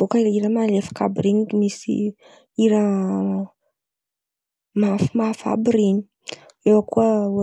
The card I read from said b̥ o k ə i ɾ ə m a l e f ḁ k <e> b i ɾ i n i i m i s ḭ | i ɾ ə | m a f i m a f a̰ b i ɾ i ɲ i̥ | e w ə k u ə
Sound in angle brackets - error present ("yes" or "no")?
yes